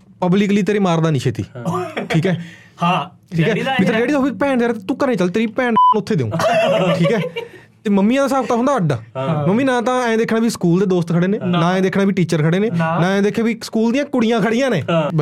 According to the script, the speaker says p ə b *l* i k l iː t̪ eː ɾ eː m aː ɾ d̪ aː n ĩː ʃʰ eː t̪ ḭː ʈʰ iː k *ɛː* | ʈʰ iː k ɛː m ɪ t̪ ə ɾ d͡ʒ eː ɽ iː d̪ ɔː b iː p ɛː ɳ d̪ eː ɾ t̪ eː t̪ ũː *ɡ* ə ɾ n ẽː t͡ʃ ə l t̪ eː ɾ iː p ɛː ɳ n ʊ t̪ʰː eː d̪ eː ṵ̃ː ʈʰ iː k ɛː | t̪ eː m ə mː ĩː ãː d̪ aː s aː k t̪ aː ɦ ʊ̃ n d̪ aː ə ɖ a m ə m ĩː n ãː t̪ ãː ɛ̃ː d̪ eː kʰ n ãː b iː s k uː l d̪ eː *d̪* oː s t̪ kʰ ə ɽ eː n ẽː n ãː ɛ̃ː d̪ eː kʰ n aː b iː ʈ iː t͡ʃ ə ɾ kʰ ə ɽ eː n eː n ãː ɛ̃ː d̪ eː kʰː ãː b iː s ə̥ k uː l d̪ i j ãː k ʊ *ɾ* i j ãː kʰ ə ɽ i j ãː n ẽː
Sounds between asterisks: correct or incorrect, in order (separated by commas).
correct, correct, incorrect, correct, incorrect